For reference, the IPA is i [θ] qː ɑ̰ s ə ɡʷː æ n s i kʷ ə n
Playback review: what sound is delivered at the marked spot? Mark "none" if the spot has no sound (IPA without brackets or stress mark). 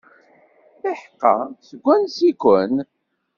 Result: ħ